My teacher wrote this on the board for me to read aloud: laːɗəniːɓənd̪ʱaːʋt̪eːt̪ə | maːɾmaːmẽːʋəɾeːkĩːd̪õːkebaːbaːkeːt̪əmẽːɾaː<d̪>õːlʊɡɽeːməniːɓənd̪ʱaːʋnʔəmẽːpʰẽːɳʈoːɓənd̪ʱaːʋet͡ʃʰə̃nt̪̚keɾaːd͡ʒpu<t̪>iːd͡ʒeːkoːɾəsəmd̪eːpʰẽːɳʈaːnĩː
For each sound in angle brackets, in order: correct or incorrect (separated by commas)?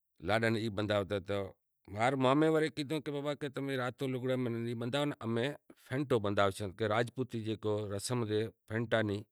incorrect, correct